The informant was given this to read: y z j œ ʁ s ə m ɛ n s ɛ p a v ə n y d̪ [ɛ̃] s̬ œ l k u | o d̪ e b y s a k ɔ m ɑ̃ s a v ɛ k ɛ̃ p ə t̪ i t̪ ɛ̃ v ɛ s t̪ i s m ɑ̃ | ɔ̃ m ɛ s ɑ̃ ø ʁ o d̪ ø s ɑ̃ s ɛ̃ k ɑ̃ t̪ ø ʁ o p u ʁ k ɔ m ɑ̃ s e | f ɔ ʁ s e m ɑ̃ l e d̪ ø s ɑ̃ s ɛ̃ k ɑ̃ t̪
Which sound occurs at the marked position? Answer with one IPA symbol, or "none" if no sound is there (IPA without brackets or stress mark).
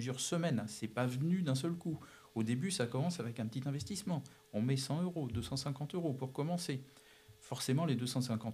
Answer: ɛ̃